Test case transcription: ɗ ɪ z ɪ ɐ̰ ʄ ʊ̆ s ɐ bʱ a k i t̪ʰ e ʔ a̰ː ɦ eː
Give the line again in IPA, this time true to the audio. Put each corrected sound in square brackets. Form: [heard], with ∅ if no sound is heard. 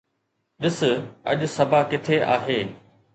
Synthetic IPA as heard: ɗ ɪ [s] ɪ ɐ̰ ʄ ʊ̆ s ɐ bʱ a k [ɪ] t̪ʰ e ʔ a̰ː ɦ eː